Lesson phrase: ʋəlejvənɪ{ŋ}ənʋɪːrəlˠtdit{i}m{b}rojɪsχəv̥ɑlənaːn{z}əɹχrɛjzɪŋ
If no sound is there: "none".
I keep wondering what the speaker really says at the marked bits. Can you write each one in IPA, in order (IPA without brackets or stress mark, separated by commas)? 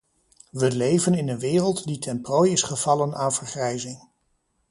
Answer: n, ɛ, p, v